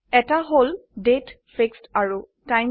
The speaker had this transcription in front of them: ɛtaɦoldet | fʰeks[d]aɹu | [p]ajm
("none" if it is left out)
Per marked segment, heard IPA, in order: t, t

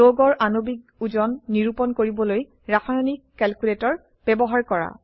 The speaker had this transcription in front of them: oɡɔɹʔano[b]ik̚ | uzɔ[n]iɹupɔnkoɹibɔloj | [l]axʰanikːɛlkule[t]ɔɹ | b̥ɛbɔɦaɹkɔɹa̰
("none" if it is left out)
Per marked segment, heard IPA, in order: b, nː, ɹ, t

